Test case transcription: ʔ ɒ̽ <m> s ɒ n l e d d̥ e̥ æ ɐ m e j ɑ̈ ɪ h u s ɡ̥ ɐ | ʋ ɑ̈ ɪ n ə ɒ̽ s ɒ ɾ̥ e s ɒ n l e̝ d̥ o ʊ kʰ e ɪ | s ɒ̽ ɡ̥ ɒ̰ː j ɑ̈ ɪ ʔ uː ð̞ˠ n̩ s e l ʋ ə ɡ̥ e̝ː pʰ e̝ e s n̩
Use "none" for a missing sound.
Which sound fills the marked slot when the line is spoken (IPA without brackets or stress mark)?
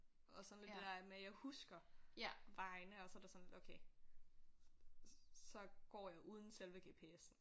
none